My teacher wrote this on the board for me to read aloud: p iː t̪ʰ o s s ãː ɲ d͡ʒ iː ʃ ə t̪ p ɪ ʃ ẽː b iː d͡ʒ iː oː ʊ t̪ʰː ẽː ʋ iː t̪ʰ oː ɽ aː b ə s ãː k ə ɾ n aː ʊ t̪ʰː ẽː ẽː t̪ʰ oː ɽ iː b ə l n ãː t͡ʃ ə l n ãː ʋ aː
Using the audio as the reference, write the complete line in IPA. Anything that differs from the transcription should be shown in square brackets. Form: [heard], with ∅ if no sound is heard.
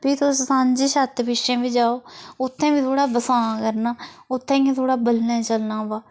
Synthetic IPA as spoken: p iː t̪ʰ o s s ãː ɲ d͡ʒ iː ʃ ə t̪ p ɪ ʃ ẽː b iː d͡ʒ [aː] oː ʊ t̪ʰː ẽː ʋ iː t̪ʰ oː ɽ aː b ə s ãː k ə ɾ n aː ʊ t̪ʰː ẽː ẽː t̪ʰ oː ɽ [aː] b ə l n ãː t͡ʃ ə l n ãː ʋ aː